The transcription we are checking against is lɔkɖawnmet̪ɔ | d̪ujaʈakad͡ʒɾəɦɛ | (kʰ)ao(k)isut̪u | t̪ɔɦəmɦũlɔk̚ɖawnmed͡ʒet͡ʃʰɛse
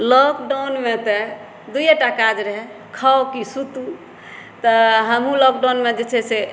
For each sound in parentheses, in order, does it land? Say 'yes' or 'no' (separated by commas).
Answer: yes, yes